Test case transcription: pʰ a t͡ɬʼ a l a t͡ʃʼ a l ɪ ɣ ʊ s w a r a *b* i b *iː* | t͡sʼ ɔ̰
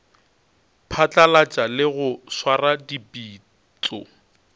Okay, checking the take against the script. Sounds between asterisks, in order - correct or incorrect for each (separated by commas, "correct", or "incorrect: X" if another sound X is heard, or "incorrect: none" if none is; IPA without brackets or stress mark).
incorrect: d, correct